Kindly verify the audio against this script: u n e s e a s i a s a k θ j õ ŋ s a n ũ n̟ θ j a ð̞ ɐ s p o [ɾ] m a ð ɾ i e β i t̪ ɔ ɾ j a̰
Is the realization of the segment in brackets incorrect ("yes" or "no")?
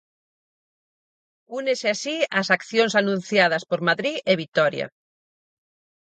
no